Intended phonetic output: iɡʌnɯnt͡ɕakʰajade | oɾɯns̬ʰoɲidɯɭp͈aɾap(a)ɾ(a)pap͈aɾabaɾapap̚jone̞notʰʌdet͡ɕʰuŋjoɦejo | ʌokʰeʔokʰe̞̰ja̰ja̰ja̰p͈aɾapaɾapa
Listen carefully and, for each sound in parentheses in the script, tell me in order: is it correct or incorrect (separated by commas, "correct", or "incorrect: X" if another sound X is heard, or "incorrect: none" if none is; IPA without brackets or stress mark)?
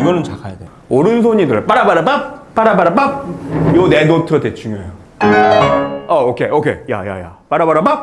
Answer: correct, correct